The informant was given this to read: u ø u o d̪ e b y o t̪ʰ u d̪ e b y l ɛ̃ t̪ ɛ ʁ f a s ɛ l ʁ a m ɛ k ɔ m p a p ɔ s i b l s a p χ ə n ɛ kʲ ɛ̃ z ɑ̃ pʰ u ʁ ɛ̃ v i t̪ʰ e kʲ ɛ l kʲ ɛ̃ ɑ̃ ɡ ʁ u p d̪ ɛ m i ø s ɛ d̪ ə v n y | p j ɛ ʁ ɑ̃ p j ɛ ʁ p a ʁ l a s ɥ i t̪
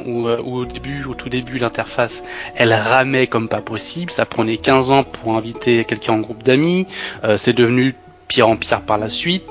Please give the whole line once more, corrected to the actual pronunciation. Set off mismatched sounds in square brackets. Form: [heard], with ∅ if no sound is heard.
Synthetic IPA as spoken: u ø u o d̪ e b y o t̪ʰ u d̪ e b y l ɛ̃ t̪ ɛ ʁ f a s ɛ l ʁ a m ɛ k ɔ m p a p ɔ s i b l s a p χ ə n ɛ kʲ ɛ̃ z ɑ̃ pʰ u ʁ ɛ̃ v i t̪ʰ e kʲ ɛ l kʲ ɛ̃ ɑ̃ ɡ ʁ u p d̪ [a] m i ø s ɛ d̪ ə v n y | p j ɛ ʁ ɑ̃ p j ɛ ʁ p a ʁ l a s ɥ i t̪